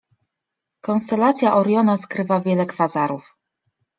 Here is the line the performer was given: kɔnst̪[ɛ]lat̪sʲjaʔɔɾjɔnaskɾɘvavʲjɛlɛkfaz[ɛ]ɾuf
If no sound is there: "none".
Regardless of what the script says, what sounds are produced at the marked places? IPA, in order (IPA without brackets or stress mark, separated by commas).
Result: ɛ, a